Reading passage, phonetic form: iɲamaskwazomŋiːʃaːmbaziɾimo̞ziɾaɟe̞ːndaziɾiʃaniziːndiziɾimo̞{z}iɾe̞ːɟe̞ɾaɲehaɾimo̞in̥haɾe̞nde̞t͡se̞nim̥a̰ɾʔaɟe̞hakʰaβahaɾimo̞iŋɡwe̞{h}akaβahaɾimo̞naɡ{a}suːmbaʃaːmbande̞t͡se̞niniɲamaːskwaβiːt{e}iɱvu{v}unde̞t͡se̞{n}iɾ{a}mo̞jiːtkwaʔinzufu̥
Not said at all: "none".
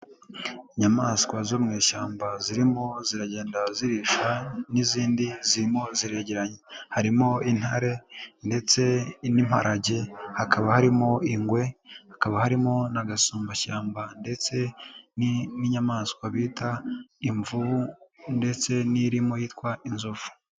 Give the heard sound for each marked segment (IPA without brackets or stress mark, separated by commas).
z, h, a, a, β, n, i